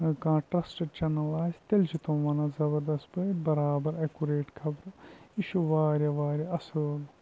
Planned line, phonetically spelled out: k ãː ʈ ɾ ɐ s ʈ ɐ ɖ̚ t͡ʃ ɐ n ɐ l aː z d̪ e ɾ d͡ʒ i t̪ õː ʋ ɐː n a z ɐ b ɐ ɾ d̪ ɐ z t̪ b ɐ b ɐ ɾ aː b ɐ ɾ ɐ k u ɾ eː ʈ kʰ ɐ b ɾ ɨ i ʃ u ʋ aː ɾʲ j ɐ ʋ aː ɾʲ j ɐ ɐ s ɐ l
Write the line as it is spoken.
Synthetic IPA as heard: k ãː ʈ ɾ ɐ s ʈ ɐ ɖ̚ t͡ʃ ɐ n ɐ l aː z t̪ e l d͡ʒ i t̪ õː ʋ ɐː n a z ɐ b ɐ ɾ d̪ ɐ s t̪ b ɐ b ɐ ɾ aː b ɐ ɾ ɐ k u ɾ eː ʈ kʰ ɐ b ɾ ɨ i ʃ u ʋ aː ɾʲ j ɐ ʋ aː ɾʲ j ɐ ɐ s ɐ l

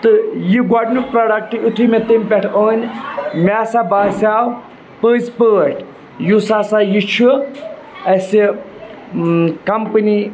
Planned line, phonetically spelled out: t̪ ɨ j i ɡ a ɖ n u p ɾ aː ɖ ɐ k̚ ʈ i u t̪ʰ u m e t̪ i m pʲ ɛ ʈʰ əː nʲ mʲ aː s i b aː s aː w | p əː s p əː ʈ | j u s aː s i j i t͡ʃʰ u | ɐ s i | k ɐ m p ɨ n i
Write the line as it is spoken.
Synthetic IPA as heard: t̪ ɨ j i ɡ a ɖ n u p ɾ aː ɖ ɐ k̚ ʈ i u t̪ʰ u m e t̪ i m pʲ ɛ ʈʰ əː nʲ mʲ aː s a b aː s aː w | p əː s p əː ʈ | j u s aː s a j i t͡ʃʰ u | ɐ s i | k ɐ m p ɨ n i

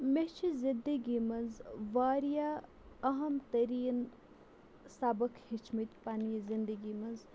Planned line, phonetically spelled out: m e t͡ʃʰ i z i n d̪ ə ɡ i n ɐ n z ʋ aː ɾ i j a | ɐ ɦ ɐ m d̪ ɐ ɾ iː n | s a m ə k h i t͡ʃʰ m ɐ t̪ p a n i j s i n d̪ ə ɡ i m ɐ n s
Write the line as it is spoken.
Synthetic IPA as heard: m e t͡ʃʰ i z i n d̪ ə ɡ i m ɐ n z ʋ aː ɾ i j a | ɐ ɦ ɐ m t̪ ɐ ɾ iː n | s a b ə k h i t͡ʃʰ m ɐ t̪ p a n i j z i n d̪ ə ɡ i m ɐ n z

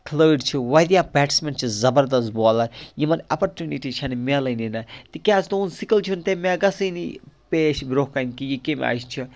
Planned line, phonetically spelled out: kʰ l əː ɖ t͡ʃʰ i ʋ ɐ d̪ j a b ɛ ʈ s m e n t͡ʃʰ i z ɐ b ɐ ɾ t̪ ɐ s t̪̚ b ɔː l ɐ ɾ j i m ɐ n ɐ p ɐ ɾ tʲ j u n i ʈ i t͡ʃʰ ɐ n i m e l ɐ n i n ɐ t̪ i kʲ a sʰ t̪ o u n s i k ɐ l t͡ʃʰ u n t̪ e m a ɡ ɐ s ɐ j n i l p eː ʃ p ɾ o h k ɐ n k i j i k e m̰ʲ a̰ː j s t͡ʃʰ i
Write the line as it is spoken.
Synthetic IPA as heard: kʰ l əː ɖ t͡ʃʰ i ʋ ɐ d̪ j a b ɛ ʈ s m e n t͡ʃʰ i z ɐ b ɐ ɾ d̪ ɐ s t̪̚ b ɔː l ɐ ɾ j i m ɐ n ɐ p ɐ ɾ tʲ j u n i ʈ i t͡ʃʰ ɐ n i m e l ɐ n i n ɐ t̪ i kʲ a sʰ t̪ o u n s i k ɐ l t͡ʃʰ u n t̪ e m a ɡ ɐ s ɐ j n i p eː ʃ b ɾ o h k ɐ n k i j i k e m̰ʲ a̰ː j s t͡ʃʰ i

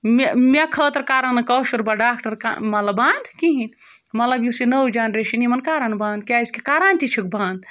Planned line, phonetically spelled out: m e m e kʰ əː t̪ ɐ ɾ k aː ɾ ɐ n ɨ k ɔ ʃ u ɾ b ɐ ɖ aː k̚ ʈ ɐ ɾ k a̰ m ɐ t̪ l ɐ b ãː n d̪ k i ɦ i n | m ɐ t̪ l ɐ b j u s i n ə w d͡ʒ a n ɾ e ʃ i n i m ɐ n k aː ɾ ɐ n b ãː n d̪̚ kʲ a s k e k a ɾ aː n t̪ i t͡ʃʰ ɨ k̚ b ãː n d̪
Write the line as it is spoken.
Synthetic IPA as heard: m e m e kʰ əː t̪ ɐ ɾ k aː ɾ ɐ n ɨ k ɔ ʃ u ɾ b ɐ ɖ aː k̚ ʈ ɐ ɾ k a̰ m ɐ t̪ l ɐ b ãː n d̪ k i ɦ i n | m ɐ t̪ l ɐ b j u s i n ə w d͡ʒ a n ɾ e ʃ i n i m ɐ n k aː ɾ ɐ n b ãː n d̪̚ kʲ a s k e k a ɾ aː n t̪ i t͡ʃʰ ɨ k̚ b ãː n d̪

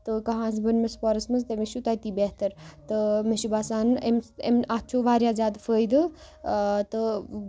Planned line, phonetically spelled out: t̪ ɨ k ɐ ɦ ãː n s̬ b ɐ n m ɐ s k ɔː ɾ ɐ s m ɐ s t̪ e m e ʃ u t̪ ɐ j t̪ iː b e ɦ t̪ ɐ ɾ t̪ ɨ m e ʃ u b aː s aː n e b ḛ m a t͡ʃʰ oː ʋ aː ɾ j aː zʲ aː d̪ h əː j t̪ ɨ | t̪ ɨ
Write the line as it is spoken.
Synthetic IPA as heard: t̪ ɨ k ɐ ɦ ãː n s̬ b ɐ n m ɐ s p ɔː ɾ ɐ s m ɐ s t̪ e m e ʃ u t̪ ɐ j t̪ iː b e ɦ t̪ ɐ ɾ t̪ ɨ m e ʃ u b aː s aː n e m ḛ m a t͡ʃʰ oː ʋ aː ɾ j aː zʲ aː d̪ f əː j d̪ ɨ | t̪ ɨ

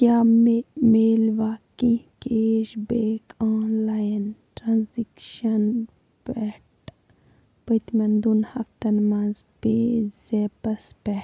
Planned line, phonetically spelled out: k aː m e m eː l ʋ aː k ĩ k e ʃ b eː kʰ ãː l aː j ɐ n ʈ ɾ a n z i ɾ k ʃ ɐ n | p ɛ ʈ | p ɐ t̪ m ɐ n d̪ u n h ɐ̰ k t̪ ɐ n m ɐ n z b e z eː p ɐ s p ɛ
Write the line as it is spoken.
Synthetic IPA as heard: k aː m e m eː l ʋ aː k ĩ k e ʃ b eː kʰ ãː l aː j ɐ n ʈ ɾ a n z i k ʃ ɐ n | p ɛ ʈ | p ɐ t̪ m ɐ n d̪ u n h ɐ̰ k t̪ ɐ n m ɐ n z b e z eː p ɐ s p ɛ

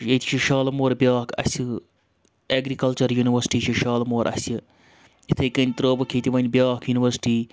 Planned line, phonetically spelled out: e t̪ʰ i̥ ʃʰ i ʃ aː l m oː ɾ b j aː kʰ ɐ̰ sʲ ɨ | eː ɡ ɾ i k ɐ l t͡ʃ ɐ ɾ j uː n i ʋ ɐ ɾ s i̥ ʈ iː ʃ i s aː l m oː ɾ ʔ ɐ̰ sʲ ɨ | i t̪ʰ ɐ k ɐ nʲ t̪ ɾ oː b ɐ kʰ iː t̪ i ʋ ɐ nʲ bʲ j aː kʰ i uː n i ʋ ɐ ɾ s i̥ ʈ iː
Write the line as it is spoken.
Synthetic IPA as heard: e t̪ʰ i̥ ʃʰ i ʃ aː l m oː ɾ b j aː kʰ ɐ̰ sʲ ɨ | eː ɡ ɾ i k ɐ l t͡ʃ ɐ ɾ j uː n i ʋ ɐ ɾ s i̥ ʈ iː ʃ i ʃ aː l m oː ɾ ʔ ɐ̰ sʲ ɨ | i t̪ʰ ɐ k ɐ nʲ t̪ ɾ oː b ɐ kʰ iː t̪ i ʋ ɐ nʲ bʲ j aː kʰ j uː n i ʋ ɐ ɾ s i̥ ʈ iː

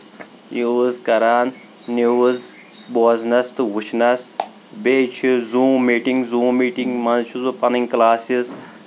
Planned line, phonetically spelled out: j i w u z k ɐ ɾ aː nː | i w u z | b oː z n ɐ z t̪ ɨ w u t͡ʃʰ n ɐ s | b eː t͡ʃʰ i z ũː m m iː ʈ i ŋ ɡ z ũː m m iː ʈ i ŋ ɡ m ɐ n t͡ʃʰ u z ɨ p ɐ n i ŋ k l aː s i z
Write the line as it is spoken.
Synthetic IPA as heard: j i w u z k ɐ ɾ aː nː | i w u z | b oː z n ɐ s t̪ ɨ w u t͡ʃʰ n ɐ s | b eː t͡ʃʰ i z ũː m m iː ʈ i ŋ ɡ z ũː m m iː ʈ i ŋ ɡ m ɐ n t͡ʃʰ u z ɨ p ɐ n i ŋ k l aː s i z

